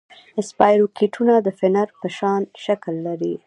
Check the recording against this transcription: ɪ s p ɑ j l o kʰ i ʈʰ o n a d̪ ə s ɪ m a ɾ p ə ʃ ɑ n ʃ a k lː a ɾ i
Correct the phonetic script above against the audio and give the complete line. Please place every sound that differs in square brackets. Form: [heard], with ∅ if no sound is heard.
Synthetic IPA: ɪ s p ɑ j [ɾ] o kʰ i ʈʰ [u] n a d̪ ə [f] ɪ [n] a ɾ p ə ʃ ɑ n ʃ a k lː a ɾ i